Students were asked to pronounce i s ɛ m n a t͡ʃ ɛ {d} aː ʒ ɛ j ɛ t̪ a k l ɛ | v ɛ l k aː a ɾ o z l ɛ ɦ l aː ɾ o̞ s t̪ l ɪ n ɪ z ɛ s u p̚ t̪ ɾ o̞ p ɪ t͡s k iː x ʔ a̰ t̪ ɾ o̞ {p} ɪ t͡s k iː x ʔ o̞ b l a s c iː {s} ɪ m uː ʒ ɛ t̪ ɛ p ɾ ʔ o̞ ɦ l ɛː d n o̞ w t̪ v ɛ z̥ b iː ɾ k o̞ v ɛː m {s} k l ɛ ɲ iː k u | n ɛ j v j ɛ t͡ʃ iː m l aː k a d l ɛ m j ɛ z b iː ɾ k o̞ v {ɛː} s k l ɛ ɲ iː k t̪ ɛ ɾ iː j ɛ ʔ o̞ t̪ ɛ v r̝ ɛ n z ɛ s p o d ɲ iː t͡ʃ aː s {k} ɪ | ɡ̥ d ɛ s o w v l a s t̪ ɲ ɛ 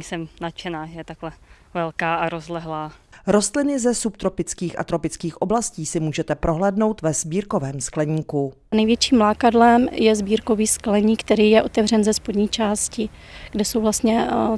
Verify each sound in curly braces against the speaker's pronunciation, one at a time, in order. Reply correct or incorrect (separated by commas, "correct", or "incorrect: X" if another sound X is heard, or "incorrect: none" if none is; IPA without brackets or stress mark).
incorrect: n, correct, correct, correct, incorrect: iː, incorrect: c